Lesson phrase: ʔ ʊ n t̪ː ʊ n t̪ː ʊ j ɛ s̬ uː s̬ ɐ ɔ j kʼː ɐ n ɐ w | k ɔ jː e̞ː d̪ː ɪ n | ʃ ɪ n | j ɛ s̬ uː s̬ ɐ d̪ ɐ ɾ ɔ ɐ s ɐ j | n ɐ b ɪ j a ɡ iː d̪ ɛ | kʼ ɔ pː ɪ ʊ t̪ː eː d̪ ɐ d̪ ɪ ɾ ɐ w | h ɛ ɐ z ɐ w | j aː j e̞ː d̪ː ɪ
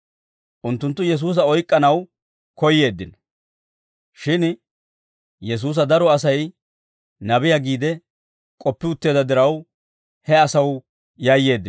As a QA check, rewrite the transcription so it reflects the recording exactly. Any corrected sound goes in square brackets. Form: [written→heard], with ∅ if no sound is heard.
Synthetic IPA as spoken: ʔ ʊ n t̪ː ʊ n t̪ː ʊ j ɛ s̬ uː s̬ ɐ ɔ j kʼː ɐ n ɐ w | k ɔ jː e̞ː d̪ː ɪ n | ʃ ɪ n | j ɛ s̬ uː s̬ ɐ d̪ ɐ ɾ ɔ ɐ s ɐ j | n ɐ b ɪ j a ɡ iː d̪ ɛ | kʼ ɔ pː ɪ ʊ t̪ː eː d̪ ɐ d̪ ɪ ɾ ɐ w | h ɛ ɐ [z→s] ɐ w | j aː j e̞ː d̪ː ɪ